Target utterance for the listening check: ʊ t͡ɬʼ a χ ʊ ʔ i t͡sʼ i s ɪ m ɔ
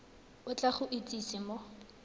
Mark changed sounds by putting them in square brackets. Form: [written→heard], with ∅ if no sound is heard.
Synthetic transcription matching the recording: ʊ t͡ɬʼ a χ ʊ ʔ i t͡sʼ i s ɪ m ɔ